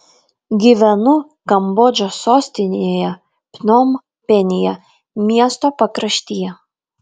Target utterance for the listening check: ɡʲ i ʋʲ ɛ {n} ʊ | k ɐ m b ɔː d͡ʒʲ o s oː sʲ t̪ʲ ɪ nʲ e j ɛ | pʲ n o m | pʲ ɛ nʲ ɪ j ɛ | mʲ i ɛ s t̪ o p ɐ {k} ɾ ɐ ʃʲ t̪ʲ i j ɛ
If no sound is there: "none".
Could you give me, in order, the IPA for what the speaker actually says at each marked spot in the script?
n, k

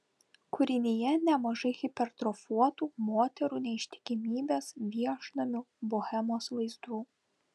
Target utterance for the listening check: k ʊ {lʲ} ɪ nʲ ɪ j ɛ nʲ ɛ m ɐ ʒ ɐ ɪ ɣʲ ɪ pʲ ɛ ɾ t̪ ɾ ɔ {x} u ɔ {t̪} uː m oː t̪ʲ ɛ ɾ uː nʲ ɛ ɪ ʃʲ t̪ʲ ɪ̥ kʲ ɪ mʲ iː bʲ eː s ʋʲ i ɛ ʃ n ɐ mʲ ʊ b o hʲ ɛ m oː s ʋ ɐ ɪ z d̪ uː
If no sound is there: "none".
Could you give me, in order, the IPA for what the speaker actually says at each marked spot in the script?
ɾʲ, f, t̪

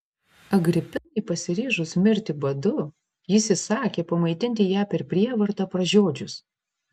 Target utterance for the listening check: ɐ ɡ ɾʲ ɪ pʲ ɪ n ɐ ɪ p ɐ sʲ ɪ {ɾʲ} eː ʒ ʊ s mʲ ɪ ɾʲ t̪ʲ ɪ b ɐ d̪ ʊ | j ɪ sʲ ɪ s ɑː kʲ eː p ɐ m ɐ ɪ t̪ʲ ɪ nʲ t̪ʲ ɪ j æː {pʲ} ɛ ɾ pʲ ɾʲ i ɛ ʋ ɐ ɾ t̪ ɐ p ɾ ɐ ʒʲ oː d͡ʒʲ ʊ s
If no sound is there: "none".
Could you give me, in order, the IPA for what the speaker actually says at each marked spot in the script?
ɾʲ, pʲ

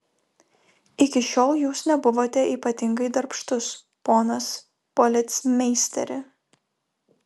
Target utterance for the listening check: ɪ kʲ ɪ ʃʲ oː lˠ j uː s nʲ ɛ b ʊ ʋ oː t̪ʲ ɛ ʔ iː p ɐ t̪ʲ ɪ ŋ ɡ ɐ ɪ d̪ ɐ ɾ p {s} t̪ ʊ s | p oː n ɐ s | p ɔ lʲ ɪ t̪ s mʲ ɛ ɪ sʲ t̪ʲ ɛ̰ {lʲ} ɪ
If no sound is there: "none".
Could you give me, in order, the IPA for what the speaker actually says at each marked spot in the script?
ʃ, ɾʲ

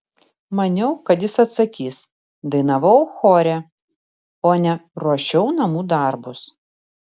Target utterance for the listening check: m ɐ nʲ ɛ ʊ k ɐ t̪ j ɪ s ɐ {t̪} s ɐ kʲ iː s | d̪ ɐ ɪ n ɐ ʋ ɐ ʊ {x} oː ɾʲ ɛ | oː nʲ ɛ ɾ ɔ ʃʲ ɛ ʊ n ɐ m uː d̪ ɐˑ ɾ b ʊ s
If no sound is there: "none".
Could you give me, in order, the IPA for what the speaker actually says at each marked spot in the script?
t̪, x

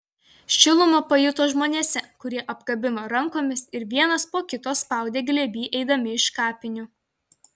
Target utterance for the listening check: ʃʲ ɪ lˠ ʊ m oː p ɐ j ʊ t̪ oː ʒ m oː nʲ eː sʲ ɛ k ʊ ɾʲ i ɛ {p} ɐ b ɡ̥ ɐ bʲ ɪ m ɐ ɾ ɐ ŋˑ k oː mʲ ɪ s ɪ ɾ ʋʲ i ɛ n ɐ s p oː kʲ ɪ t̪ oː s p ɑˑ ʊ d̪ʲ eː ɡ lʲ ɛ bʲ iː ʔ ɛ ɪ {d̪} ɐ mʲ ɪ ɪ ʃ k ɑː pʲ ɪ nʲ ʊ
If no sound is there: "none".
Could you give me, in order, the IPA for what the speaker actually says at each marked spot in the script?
ʔ, d̪

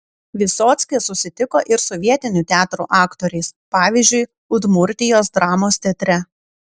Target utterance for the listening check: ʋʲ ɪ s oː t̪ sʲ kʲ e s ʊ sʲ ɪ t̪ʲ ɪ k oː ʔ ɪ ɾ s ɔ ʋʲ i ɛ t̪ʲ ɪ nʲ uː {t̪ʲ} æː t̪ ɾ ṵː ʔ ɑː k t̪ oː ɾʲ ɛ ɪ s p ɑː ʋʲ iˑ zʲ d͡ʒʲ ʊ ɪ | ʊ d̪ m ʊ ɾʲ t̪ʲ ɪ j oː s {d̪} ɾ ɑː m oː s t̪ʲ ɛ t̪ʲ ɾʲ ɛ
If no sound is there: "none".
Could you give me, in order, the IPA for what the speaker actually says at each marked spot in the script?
t̪ʲ, d̪

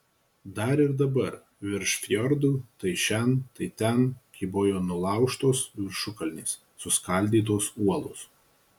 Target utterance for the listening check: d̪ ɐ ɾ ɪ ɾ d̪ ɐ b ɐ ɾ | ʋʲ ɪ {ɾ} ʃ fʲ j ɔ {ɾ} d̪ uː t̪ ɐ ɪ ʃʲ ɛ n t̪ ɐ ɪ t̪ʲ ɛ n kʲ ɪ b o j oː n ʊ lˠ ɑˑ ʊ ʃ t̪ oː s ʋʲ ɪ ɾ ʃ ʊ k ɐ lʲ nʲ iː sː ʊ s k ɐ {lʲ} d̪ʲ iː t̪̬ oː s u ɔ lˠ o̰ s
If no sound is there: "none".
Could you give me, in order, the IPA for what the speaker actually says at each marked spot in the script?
ɾ, ɾ, lʲ

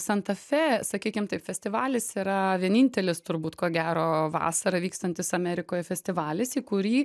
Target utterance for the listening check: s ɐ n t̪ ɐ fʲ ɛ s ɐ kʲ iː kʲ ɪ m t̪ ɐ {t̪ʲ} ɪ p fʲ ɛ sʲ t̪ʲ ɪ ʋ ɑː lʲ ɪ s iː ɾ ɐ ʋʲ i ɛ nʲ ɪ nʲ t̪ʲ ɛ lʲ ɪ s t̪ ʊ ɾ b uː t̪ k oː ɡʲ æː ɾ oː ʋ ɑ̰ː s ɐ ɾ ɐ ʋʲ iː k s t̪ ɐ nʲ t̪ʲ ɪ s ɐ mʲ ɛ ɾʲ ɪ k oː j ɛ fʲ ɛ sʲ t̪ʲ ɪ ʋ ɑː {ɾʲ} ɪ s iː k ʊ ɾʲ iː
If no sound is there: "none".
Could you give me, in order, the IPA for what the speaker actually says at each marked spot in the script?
none, lʲ

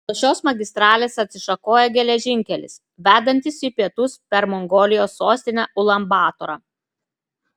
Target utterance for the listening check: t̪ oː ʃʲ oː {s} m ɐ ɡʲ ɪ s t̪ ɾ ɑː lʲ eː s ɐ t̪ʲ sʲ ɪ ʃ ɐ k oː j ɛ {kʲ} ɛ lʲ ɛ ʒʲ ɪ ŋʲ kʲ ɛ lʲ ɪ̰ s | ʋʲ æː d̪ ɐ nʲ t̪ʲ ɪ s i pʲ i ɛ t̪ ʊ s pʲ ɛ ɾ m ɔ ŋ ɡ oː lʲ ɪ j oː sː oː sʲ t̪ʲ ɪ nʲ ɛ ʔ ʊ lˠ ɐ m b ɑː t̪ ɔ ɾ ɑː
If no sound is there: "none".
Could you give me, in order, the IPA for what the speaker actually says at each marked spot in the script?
s, ɡʲ

